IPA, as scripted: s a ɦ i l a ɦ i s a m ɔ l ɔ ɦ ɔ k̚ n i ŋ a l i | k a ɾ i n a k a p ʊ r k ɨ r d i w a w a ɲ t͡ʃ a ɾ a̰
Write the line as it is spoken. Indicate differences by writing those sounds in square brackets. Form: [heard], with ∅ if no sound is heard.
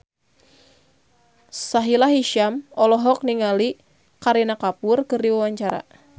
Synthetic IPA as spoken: s a ɦ i l a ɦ i [ʃ] a m ɔ l ɔ ɦ ɔ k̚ n i ŋ a l i | k a ɾ i n a k a p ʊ r k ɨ r d i w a w a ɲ t͡ʃ a ɾ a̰